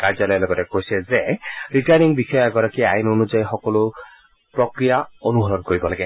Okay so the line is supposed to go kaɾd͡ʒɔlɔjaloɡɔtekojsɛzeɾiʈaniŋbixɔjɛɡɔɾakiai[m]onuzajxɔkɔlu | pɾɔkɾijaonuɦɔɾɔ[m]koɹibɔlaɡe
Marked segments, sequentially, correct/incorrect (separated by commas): incorrect, incorrect